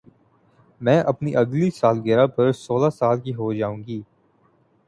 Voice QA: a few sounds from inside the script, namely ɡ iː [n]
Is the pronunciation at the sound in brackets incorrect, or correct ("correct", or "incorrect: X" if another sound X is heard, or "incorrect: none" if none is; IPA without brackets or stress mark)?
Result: incorrect: none